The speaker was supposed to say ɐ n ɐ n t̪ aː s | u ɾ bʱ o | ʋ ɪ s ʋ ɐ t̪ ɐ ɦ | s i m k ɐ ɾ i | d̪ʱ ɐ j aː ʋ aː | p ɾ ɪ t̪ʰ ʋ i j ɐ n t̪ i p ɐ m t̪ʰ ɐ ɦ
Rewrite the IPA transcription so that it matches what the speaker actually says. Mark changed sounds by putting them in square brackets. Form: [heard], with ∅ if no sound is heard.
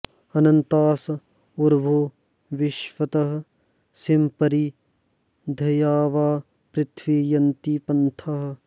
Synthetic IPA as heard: ɐ n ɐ n t̪ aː s | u ɾ bʱ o | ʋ ɪ [ʃ] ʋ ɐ t̪ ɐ ɦ | s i m [p] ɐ ɾ i | d̪ʱ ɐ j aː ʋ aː | p ɾ ɪ t̪ʰ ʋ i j ɐ n t̪ i p ɐ [n] t̪ʰ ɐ ɦ